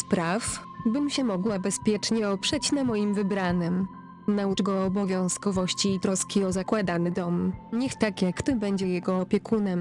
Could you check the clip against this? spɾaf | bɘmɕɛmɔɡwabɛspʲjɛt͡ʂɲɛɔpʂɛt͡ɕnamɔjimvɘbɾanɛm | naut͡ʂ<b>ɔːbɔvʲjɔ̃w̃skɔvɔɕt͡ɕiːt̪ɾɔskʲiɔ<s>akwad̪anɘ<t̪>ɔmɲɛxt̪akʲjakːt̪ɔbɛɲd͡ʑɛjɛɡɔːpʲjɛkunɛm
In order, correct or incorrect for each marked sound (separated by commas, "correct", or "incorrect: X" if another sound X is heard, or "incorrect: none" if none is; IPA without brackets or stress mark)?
incorrect: ɡ, incorrect: z, incorrect: d̪